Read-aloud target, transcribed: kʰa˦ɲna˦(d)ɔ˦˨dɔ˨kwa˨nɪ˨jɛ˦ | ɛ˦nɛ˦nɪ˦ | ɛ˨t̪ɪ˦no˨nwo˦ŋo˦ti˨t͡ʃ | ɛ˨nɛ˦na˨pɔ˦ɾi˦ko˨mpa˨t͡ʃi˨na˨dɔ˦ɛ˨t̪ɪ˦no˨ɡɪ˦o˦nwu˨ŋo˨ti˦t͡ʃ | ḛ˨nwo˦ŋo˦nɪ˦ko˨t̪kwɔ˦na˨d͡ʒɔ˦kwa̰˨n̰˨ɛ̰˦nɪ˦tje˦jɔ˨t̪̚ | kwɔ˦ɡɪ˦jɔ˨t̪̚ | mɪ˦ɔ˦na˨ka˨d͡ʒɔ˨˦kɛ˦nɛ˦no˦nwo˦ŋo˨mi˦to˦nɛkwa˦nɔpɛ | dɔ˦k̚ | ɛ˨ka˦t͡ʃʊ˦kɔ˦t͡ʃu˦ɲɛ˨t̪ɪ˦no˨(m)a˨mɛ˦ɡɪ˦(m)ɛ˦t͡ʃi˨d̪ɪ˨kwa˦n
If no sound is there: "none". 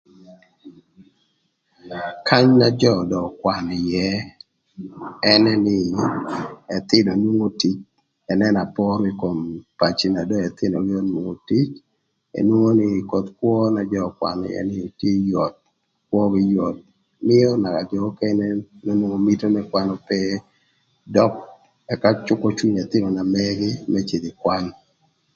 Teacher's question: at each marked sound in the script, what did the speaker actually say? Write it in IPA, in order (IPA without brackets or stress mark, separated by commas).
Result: d͡ʒ, n, m